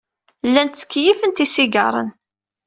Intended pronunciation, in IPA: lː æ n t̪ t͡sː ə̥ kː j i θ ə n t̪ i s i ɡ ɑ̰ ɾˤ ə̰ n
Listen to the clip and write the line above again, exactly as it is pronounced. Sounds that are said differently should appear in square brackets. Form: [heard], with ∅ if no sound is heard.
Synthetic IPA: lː æ n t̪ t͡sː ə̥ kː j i [f] ə n t̪ i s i ɡ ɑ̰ ɾˤ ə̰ n